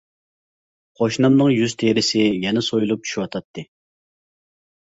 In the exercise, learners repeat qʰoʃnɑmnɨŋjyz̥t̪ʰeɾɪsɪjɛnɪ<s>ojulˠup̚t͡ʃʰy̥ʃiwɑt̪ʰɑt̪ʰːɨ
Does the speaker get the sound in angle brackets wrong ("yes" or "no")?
no